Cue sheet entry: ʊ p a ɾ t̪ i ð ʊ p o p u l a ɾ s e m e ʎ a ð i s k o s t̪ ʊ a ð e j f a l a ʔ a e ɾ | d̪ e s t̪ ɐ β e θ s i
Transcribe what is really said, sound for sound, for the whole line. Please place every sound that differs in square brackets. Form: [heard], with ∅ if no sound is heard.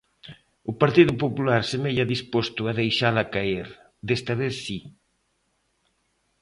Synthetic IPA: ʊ p a ɾ t̪ i ð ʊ p o p u l a ɾ s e m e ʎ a ð i s [p] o s t̪ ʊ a ð e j [ʃ] a l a [k] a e ɾ | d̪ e s t̪ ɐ β e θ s i